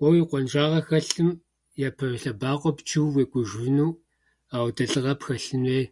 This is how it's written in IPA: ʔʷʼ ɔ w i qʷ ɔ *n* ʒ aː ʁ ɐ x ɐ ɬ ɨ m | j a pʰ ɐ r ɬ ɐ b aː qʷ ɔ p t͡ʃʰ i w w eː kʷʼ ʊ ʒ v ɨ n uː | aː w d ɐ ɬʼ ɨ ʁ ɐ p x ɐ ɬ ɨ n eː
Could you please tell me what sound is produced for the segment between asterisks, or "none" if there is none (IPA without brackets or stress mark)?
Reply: n